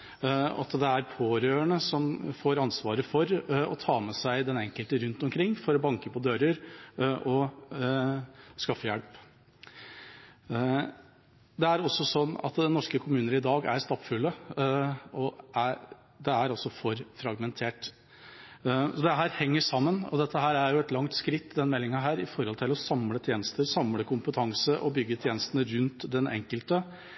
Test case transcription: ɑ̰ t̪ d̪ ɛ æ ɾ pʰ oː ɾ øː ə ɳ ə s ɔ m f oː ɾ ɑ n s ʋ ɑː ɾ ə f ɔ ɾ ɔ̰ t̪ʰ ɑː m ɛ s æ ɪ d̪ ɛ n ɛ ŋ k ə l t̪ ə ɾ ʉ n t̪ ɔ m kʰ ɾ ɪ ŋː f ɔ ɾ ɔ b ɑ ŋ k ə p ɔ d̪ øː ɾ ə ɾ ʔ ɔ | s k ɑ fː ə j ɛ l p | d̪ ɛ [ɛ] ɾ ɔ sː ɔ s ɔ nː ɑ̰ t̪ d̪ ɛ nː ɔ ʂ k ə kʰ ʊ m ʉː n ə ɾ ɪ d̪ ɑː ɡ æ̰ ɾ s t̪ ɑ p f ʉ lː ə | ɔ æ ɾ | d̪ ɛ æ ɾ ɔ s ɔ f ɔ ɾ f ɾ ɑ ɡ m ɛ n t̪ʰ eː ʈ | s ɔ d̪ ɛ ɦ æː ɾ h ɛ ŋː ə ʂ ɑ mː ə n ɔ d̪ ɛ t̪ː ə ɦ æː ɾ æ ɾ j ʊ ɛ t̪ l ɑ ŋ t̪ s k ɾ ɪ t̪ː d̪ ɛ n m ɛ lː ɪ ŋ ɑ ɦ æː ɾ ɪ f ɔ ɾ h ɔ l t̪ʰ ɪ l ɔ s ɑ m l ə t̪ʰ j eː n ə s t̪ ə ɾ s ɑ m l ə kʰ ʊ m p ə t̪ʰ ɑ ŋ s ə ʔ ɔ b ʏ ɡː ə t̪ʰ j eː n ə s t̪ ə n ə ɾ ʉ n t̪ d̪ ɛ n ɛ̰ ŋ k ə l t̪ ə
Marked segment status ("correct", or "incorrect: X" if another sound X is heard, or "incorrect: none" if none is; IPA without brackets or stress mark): incorrect: æ